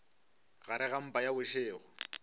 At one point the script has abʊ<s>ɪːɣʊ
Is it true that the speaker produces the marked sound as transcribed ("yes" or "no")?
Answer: no